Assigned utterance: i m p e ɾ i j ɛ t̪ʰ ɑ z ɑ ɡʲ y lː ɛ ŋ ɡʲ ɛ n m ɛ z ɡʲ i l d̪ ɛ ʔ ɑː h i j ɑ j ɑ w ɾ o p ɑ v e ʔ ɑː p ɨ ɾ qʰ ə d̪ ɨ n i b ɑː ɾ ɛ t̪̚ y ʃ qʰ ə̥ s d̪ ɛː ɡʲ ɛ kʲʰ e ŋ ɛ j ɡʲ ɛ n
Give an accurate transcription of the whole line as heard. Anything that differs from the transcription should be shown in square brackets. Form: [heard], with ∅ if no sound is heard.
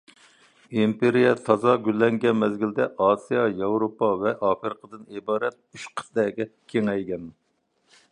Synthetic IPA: i m p e ɾ i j ɛ t̪ʰ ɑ z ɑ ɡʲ y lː ɛ ŋ ɡʲ ɛ n m ɛ z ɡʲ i l d̪ ɛ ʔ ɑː [s] i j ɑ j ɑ w ɾ o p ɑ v [ɛ] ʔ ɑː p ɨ ɾ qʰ ə d̪ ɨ n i b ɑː ɾ ɛ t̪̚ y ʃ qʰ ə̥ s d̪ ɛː ɡʲ ɛ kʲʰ e ŋ ɛ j ɡʲ ɛ n